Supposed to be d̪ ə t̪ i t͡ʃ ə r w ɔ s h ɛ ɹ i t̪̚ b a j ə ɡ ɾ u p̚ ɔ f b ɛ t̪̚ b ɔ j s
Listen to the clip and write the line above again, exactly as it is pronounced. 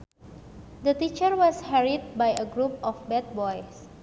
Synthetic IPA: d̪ ə t̪ i t͡ʃ ə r w ɔ s h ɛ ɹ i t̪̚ b a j ə ɡ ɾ u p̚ ɔ f b ɛ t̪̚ b ɔ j s